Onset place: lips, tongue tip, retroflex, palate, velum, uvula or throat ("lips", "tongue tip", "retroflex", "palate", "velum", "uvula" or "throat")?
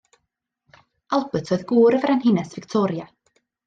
tongue tip